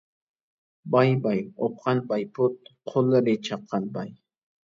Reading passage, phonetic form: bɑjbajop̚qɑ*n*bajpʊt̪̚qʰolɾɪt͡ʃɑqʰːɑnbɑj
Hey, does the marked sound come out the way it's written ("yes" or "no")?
yes